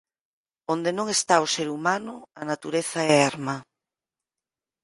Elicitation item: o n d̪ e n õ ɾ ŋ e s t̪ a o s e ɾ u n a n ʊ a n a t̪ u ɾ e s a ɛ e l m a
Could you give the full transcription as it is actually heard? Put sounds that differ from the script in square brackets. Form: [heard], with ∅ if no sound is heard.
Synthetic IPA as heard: o n d̪ e n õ [∅] ŋ e s t̪ a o s e ɾ u [m] a n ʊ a n a t̪ u ɾ e [θ] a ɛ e [ɾ] m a